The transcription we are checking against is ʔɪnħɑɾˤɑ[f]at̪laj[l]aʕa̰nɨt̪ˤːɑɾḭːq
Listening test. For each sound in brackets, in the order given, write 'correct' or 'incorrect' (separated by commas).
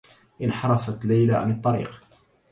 correct, correct